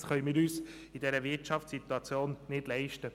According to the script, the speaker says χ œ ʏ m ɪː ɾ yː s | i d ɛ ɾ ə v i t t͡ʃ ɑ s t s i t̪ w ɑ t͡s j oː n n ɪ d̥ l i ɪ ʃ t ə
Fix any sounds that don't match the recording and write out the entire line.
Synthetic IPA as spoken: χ œ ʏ m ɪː ɾ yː s | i d ɛ ɾ ə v ɪ t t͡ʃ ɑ f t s i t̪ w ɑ t͡s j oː n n ɪ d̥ l ɛ ɪ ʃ t ə